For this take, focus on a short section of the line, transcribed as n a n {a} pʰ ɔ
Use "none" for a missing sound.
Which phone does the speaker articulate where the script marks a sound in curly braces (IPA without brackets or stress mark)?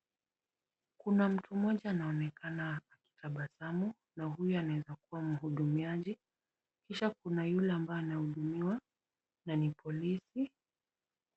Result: i